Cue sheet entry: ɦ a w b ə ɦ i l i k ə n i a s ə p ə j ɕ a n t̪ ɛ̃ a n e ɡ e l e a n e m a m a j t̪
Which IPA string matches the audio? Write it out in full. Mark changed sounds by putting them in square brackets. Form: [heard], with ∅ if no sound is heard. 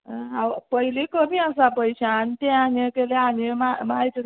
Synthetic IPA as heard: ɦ a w [p] ə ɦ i l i k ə [m] i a s [a] p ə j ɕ a n t̪ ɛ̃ a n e [k] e l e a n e m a m a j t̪